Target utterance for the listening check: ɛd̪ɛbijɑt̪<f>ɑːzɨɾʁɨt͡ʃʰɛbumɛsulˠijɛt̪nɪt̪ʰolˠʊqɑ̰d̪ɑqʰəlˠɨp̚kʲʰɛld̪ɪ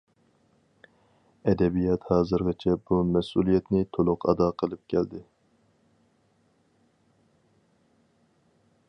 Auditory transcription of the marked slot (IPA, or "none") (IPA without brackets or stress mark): h